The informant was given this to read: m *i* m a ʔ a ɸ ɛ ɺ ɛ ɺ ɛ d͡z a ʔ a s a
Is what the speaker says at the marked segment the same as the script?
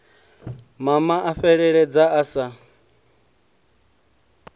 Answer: no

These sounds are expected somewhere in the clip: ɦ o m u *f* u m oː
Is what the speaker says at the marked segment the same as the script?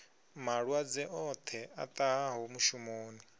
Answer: no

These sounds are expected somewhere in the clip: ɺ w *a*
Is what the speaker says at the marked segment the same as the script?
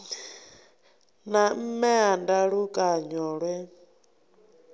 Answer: no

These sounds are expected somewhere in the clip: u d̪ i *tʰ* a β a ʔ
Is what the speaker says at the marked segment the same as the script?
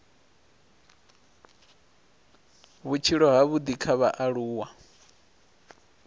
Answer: no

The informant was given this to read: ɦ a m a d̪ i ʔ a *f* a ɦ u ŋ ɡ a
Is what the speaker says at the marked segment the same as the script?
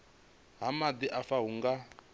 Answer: yes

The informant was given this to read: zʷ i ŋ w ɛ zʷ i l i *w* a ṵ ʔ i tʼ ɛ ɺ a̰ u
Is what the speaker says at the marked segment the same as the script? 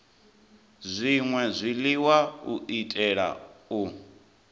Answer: yes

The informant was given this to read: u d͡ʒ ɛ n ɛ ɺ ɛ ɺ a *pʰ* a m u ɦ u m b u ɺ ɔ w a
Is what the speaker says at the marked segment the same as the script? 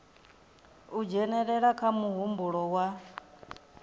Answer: no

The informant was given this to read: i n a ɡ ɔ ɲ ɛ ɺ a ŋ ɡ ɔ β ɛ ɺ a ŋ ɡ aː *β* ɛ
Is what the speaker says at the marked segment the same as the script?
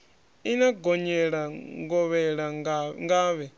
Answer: yes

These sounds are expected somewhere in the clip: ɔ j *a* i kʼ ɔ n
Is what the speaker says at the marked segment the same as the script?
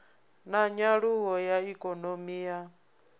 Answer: yes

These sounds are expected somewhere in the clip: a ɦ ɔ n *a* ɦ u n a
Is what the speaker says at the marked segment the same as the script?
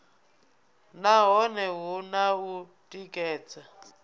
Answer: no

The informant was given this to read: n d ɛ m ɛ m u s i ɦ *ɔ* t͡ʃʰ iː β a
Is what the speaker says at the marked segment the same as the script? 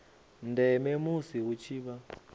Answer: no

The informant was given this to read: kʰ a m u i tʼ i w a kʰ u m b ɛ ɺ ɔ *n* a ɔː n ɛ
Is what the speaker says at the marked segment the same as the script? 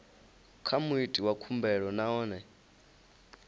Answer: yes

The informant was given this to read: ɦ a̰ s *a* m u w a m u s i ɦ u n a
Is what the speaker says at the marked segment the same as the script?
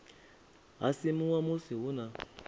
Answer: no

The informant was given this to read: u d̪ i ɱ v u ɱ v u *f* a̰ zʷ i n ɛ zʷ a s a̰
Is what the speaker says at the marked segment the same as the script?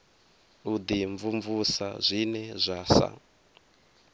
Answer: no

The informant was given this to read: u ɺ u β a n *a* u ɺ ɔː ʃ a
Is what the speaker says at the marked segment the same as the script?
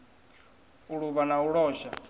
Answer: yes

